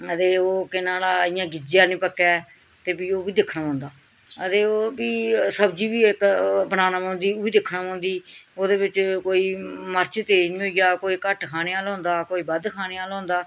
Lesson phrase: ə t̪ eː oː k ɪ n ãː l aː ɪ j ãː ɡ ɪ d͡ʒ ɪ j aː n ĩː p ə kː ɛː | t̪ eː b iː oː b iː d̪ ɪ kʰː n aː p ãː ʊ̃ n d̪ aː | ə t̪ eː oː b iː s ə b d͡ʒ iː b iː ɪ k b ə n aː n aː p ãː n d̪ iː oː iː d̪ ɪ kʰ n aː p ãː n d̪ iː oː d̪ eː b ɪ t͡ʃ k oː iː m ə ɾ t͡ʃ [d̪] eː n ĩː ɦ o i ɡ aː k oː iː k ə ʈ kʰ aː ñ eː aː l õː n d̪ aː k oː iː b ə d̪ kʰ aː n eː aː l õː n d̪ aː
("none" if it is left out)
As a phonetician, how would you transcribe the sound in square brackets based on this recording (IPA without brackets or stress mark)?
t̪